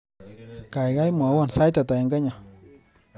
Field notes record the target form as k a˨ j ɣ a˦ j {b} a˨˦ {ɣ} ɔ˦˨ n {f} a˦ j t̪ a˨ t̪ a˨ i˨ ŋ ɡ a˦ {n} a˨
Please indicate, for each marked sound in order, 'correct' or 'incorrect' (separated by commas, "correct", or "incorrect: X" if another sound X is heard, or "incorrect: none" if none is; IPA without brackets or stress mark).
incorrect: m, incorrect: w, incorrect: s, incorrect: ɲ